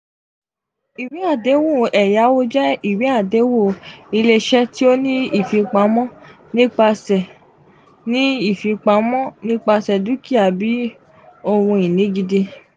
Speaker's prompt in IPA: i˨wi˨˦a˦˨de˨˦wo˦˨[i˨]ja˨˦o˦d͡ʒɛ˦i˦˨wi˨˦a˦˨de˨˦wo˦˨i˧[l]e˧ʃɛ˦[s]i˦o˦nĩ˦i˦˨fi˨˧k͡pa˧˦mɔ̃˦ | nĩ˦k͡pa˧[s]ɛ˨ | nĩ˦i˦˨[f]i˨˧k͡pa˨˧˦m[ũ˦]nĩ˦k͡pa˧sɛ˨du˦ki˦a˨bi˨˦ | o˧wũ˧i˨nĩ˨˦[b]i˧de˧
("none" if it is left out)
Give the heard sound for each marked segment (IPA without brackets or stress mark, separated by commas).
ɛ˨, l, t, s, f, ɔ̃˦, ɡ